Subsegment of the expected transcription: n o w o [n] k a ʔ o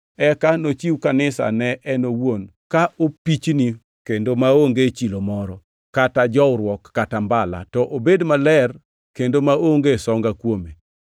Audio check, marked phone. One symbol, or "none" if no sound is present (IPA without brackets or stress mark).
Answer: n